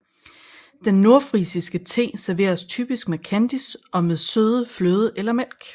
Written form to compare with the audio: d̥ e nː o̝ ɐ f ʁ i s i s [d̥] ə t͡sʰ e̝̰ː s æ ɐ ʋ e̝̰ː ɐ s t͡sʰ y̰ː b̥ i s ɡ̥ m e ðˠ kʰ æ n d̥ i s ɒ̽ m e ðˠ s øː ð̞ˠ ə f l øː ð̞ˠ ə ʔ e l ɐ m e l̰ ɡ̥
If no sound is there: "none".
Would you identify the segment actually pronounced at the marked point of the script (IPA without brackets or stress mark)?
ɡ̥